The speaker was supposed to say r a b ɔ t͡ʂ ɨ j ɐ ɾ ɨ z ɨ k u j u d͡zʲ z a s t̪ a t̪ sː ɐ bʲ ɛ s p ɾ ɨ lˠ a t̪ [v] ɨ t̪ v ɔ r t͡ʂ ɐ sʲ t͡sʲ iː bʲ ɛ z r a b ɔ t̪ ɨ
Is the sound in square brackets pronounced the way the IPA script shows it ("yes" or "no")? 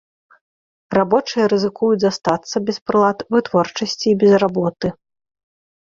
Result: yes